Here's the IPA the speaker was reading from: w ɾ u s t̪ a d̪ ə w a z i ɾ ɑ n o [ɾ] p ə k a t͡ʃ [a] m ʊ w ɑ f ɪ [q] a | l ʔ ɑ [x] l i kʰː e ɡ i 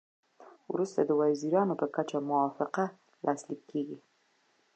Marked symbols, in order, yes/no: no, yes, yes, no

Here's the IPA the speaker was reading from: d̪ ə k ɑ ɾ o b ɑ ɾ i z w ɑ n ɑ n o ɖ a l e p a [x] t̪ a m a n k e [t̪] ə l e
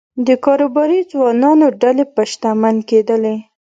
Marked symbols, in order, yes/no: no, no

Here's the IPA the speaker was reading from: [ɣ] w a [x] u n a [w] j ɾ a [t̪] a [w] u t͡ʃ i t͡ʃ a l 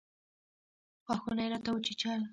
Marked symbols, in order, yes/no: no, yes, no, yes, yes

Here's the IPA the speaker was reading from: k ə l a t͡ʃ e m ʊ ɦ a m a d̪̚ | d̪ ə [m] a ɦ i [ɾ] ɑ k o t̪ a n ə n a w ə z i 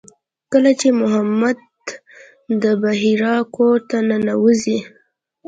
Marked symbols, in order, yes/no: no, yes

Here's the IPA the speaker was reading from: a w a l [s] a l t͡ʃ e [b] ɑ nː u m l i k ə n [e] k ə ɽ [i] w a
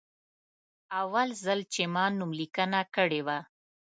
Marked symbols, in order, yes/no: no, no, no, no

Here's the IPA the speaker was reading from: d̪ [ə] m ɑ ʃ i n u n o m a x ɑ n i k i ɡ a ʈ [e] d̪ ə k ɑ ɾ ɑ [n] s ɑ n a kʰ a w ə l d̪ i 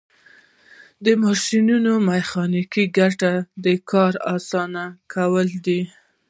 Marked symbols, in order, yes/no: yes, no, no

